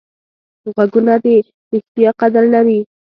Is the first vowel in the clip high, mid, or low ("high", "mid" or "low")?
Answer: low